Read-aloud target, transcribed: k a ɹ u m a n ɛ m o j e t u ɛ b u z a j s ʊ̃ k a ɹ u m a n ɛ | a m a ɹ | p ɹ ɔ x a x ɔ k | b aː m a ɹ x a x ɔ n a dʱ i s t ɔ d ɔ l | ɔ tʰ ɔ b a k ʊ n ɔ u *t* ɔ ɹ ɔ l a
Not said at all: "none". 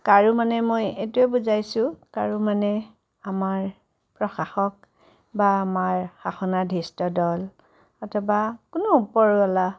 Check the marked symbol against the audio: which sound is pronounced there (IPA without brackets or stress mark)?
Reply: p